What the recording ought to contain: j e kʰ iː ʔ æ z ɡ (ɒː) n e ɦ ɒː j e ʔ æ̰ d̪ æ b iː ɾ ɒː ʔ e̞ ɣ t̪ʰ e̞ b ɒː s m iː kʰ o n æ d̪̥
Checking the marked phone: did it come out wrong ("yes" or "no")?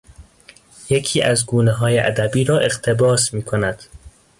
yes